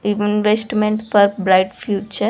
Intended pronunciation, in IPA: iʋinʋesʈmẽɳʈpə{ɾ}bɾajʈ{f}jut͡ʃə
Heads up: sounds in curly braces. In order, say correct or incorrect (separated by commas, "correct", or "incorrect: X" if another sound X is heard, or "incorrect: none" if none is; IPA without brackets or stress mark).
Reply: correct, correct